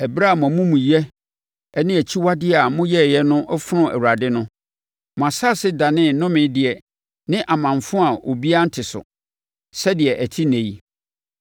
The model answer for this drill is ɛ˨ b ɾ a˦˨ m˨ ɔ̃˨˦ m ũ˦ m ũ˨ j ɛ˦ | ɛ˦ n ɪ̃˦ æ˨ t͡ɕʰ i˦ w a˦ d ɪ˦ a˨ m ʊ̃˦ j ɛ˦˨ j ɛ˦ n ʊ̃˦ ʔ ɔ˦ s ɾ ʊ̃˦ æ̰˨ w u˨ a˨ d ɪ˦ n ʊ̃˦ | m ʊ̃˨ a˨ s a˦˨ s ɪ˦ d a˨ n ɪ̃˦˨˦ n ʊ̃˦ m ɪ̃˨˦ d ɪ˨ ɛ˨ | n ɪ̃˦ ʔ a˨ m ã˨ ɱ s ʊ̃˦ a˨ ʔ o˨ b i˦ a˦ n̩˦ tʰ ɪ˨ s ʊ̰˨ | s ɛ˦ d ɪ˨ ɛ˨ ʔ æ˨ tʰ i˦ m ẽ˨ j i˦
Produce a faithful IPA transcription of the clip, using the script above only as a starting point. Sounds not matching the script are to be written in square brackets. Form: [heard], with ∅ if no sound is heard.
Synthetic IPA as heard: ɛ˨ b ɾ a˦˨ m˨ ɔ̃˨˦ m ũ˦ m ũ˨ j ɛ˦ | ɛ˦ n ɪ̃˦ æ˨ t͡ɕʰ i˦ w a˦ d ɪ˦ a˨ m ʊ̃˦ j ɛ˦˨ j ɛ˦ n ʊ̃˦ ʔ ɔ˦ [f] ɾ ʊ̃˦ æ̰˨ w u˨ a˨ d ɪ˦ n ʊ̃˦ | m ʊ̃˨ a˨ s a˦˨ s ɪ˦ d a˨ n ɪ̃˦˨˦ n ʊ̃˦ m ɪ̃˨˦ d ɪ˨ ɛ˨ | n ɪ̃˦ ʔ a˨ m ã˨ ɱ [f] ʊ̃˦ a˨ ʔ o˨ b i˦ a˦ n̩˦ tʰ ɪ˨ s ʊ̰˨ | s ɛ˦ d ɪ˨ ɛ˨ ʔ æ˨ tʰ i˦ [n] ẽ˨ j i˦